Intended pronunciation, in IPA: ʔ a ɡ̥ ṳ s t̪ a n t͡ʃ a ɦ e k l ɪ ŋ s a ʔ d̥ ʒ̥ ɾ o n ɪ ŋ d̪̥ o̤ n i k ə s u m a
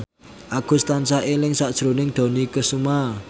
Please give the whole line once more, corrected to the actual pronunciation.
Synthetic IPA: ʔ a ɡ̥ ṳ s t̪ a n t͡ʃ a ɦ e l ɪ ŋ s a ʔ d̥ ʒ̥ ɾ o n ɪ ŋ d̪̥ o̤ n i k ə s u m a

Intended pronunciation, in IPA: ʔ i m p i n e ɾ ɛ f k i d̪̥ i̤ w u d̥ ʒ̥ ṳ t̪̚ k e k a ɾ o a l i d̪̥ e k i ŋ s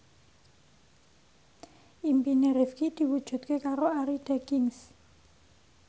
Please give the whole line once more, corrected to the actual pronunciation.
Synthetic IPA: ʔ i m p i n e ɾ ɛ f k i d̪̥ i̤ w u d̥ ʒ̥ ṳ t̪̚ k e k a ɾ o a ɾ i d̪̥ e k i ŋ s

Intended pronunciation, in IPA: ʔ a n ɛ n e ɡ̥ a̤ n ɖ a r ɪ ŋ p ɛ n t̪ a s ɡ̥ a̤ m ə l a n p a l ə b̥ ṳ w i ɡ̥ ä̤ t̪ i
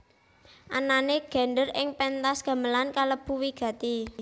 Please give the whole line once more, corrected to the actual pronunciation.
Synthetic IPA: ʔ a n a n e ɡ̥ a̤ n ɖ ə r ɪ ŋ p ɛ n t̪ a s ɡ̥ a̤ m ə l a n k a l ə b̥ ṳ w i ɡ̥ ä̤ t̪ i

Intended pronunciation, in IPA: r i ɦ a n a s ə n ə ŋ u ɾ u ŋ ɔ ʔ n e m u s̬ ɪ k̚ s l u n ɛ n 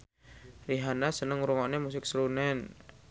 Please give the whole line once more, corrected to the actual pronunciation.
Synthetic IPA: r i ɦ a n a s ə n ə ŋ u ɾ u ŋ ɔ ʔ n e m u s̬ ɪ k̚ s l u n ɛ n

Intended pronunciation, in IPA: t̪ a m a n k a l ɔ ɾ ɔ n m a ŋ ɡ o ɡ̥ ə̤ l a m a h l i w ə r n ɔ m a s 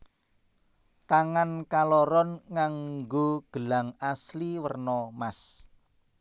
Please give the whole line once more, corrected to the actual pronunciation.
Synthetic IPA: t̪ a ŋ a n k a l ɔ ɾ ɔ n ŋ a ŋ ɡ o ɡ̥ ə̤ l a ŋ a s l i w ə r n ɔ m a s

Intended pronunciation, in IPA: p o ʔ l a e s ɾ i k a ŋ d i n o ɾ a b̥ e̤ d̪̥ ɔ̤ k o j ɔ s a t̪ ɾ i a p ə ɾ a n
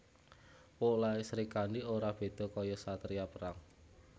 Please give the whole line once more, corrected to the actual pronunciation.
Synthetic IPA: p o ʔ l a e s ɾ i k a n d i o ɾ a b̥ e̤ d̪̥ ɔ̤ k ɔ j ɔ s a t̪ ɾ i a p ə ɾ a ŋ

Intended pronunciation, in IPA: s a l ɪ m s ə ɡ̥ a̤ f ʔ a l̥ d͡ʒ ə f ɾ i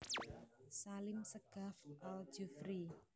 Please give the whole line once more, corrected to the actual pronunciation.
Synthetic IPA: s a l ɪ m s ə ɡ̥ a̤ f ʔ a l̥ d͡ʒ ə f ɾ i

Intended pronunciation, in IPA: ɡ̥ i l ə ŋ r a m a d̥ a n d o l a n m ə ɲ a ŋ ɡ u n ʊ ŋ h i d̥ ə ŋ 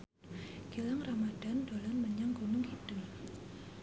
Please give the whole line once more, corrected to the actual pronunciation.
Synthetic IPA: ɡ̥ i l a ŋ r a m a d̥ a n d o l a n m ə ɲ a ŋ ɡ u n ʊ ŋ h i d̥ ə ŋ

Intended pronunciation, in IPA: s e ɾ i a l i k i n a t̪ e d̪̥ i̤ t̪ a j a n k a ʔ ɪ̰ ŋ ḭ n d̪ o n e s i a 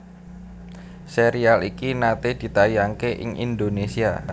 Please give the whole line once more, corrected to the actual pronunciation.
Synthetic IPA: s e ɾ i a l i k i n a t̪ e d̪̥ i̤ t̪ a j a ŋ k e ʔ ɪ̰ ŋ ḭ n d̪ o n e s i a

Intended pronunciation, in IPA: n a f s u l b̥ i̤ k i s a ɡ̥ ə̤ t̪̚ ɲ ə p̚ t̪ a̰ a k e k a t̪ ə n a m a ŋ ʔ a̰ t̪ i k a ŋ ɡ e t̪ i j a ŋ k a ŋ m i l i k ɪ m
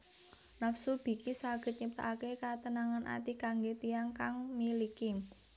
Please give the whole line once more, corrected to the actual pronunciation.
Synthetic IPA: n a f s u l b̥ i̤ k i s a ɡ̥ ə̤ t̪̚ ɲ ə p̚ t̪ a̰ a k e k a t̪ ə n a ŋ a n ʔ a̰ t̪ i k a ŋ ɡ e t̪ i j a ŋ k a ŋ m i l i k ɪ m

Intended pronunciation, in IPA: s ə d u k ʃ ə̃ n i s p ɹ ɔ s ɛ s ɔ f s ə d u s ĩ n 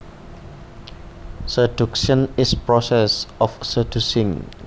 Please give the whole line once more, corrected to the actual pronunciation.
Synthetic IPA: s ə d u k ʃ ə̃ n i s p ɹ ɔ s ɛ s ɔ f s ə d u s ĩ ŋ

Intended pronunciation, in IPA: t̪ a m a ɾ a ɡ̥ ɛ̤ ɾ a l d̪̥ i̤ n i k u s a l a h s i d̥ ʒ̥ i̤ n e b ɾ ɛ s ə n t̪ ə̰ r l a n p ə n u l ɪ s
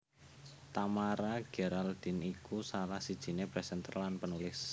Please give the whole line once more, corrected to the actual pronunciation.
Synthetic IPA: t̪ a m a ɾ a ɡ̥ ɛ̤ ɾ a l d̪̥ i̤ n i k u s a l a h s i d̥ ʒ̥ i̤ n e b ɾ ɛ s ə n t̪ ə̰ r l a n p ə n u l ɪ s

